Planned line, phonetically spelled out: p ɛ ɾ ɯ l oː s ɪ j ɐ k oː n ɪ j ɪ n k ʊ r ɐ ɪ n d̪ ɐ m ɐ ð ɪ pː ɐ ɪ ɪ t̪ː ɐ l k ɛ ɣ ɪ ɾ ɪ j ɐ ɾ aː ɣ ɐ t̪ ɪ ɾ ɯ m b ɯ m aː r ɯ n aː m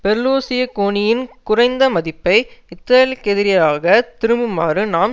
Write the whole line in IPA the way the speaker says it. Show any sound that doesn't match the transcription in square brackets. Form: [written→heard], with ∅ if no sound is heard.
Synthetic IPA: p ɛ ɾ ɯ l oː s ɪ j ɐ k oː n ɪ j ɪ n k ʊ r ɐ ɪ n d̪ ɐ m ɐ ð ɪ pː ɐ ɪ ɪ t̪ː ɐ l k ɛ [ɣ→ð] ɪ ɾ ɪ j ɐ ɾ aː ɣ ɐ t̪ ɪ ɾ ɯ m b ɯ m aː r ɯ n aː m